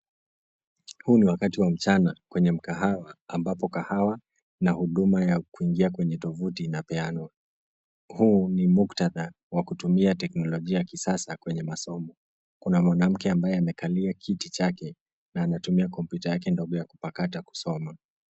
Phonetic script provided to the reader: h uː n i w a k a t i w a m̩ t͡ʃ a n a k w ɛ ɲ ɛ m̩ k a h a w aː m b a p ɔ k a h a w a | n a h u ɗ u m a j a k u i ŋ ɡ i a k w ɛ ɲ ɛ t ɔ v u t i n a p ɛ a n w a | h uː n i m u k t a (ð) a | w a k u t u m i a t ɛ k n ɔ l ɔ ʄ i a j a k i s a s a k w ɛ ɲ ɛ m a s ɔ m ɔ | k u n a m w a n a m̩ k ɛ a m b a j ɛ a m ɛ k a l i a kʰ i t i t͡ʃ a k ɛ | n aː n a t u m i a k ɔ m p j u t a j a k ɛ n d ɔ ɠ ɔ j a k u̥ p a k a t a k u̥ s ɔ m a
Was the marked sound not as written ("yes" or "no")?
no